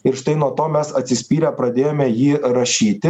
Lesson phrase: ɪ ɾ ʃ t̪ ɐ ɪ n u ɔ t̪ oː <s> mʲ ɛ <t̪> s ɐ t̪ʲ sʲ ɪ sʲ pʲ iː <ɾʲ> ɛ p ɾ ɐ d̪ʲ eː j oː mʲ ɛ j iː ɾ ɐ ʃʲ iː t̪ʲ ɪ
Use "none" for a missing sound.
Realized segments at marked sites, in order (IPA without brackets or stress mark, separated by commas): none, none, ɾʲ